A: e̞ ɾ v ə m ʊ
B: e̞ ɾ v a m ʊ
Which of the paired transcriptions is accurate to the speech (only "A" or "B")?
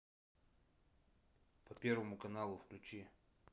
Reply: A